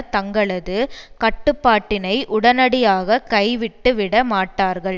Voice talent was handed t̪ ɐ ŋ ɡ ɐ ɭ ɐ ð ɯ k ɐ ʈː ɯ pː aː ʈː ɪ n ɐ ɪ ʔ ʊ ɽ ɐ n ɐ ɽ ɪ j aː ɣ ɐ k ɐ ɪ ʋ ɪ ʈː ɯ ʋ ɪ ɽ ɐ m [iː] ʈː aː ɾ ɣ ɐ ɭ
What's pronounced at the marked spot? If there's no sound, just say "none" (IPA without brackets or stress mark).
aː